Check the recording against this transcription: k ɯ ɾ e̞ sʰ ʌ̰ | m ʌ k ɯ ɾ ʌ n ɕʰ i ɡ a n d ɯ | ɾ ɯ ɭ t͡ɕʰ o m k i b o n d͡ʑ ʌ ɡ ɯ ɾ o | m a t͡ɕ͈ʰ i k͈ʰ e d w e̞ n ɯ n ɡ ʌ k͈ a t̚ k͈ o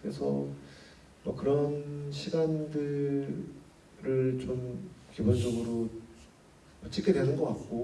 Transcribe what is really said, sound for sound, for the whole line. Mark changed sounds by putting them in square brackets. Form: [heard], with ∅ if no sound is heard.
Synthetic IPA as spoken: k ɯ ɾ e̞ sʰ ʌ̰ | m ʌ k ɯ ɾ ʌ n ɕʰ i ɡ a n d ɯ | ɾ ɯ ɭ [t͡ɕ] o m k i b o n d͡ʑ ʌ ɡ ɯ ɾ o | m [ʌ] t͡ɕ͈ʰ i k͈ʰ e d w e̞ n ɯ n ɡ ʌ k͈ a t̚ k͈ o